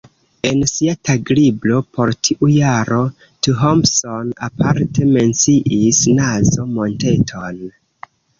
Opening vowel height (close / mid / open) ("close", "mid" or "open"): mid